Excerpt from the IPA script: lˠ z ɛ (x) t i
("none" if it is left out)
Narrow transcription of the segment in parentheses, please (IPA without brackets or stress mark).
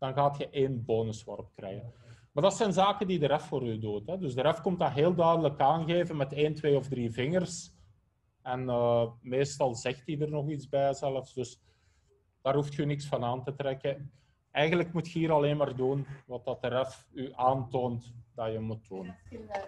x